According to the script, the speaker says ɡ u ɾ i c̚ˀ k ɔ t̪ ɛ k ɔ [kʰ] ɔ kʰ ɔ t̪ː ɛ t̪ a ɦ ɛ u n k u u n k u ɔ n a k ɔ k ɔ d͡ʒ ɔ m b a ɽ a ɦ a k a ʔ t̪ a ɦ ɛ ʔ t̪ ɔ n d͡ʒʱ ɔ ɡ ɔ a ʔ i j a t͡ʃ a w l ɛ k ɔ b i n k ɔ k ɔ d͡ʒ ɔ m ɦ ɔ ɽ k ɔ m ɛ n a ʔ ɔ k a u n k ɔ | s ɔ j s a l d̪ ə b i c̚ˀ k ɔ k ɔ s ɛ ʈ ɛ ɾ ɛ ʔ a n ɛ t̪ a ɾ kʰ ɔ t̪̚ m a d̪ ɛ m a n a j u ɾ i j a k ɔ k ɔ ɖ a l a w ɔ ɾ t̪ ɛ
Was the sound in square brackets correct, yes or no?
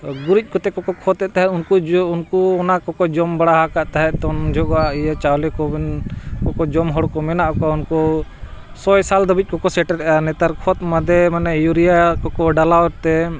no